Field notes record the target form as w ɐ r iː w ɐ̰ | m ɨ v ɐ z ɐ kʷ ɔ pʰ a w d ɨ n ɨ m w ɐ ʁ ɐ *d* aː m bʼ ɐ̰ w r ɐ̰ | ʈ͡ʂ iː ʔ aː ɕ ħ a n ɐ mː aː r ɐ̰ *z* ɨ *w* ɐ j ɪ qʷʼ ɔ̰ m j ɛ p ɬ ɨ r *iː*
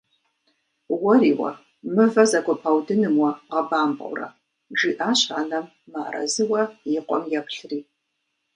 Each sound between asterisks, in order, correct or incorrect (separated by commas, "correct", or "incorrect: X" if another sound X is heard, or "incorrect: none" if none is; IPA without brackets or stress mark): incorrect: b, correct, correct, correct